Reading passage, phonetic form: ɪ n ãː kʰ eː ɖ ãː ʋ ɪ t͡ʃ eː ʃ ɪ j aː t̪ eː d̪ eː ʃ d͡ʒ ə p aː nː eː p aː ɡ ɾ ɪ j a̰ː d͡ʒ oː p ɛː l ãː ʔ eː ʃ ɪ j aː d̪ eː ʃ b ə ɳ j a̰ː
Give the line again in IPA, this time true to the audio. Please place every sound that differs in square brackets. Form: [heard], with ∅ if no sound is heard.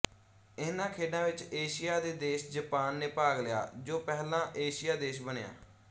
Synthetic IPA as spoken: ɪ n ãː kʰ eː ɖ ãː ʋ ɪ t͡ʃ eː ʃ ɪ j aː [d̪] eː d̪ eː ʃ d͡ʒ ə p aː nː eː p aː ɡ [l] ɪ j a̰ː d͡ʒ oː p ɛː l ãː ʔ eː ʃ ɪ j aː d̪ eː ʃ b ə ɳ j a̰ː

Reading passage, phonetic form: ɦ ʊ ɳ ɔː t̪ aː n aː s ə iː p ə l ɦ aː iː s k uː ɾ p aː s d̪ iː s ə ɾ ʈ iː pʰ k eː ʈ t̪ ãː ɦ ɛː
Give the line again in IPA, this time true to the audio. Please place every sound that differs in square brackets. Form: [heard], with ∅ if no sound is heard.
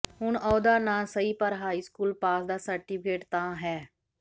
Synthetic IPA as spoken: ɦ ʊ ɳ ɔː [d̪] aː n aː s ə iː p ə [ɾ] ɦ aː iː s k uː [l] p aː s d̪ [aː] s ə ɾ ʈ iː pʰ k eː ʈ t̪ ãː ɦ ɛː

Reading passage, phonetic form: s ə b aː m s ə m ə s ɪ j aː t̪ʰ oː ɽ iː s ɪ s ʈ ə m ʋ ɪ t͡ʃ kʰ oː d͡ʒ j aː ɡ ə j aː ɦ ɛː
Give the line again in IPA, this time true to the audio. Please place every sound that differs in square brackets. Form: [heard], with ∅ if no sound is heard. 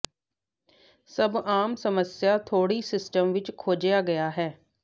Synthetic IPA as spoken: s ə b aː m s ə m ə s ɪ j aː t̪ʰ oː ɽ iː s ɪ s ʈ ə m ʋ ɪ t͡ʃ kʰ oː d͡ʒ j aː ɡ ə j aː ɦ ɛː

